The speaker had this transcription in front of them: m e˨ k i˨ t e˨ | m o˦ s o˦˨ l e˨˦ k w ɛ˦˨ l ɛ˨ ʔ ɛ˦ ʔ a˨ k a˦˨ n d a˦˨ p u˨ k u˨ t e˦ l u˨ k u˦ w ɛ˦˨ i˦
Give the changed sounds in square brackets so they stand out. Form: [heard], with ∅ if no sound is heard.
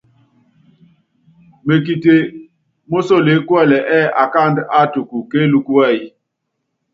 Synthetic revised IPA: m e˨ k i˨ t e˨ | m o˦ s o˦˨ l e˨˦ k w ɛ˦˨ l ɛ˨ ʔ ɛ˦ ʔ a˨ k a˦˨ n d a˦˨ [t] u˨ k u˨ [k] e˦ l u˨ k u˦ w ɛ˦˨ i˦